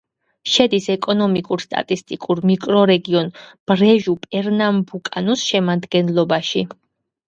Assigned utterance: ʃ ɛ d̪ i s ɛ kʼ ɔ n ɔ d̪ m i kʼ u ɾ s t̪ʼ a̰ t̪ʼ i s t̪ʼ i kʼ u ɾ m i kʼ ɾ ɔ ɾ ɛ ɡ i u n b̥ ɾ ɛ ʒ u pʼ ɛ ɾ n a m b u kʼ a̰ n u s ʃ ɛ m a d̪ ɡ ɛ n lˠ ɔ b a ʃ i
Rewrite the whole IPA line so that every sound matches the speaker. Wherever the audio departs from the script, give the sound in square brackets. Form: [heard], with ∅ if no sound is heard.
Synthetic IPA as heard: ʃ ɛ d̪ i s ɛ kʼ ɔ n ɔ [∅] m i kʼ u ɾ s t̪ʼ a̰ t̪ʼ i s t̪ʼ i kʼ u ɾ m i kʼ ɾ ɔ ɾ ɛ ɡ i [ɔ] n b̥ ɾ ɛ ʒ u pʼ ɛ ɾ n a m b u kʼ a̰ n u s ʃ ɛ m a d̪ ɡ ɛ n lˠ ɔ b a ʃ i

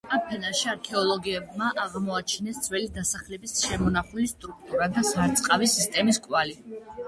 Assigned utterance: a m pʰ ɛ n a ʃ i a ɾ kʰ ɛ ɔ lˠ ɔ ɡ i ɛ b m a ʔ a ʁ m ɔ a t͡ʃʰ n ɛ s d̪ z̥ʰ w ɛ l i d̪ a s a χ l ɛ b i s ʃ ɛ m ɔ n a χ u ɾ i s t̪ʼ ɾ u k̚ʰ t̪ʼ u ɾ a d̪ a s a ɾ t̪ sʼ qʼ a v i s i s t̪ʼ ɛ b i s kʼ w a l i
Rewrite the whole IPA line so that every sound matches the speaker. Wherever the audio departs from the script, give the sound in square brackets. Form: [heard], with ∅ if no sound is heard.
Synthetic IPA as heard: a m pʰ ɛ n a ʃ i a ɾ kʰ ɛ ɔ lˠ ɔ ɡ i ɛ b m a ʔ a ʁ m ɔ a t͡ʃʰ n ɛ s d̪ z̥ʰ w ɛ l i d̪ a s a χ l ɛ b i s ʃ ɛ m ɔ n a χ u [l] i s t̪ʼ ɾ u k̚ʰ t̪ʼ u ɾ a d̪ a s a ɾ t̪ sʼ qʼ a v i s i s t̪ʼ ɛ [m] i s kʼ w a l i

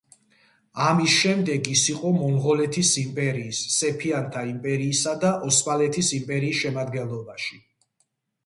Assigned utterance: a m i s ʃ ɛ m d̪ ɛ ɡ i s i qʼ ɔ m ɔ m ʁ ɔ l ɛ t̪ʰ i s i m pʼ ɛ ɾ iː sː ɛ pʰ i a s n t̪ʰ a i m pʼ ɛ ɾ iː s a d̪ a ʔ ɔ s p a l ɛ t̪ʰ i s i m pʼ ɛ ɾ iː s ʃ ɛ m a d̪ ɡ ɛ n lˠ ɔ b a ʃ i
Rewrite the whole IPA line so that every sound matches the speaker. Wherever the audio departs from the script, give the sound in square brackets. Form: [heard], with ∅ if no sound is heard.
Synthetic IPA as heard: a m i s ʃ ɛ m d̪ ɛ ɡ i s i qʼ ɔ m ɔ m ʁ ɔ l ɛ t̪ʰ i s i m pʼ ɛ ɾ iː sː ɛ pʰ i a [∅] n t̪ʰ a i m pʼ ɛ ɾ iː s a d̪ a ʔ ɔ s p a l ɛ t̪ʰ i s i m pʼ ɛ ɾ iː s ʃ ɛ m a d̪ ɡ ɛ n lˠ ɔ b a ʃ i

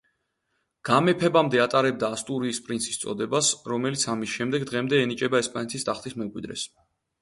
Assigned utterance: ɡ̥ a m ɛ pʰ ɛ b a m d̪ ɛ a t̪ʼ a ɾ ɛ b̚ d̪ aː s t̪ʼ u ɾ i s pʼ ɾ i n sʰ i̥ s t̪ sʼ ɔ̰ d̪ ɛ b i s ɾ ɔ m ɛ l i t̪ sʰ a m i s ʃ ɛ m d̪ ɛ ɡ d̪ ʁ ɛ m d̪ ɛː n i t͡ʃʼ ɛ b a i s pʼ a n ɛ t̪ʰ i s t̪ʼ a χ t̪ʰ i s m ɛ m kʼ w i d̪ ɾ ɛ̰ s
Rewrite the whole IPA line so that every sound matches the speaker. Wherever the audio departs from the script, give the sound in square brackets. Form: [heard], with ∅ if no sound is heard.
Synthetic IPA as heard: ɡ̥ a m ɛ pʰ ɛ b a m d̪ ɛ a t̪ʼ a ɾ ɛ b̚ d̪ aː s t̪ʼ u ɾ [iː] s pʼ ɾ i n sʰ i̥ s t̪ sʼ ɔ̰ d̪ ɛ b [a] s ɾ ɔ m ɛ l i t̪ sʰ a m i s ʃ ɛ m d̪ ɛ ɡ d̪ ʁ ɛ m d̪ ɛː n i t͡ʃʼ ɛ b a [ɛ] s pʼ a n ɛ t̪ʰ i s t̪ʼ a χ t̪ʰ i s m ɛ m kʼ w i d̪ ɾ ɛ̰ s

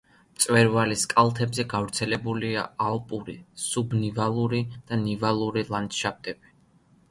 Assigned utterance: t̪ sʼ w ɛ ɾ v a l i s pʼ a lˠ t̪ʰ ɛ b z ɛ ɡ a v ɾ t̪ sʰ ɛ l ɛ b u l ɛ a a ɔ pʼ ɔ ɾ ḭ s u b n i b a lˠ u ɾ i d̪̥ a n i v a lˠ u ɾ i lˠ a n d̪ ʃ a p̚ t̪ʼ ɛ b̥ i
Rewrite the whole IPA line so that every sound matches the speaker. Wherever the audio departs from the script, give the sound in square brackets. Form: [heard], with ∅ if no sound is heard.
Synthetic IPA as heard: t̪ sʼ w ɛ ɾ v a l i s [kʼ] a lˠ t̪ʰ ɛ b z ɛ ɡ a v ɾ t̪ sʰ ɛ l ɛ b u l [i] a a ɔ pʼ [u] ɾ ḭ s u b n i [v] a lˠ u ɾ i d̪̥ a n i v a lˠ u ɾ i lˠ a n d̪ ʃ a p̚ t̪ʼ ɛ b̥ i

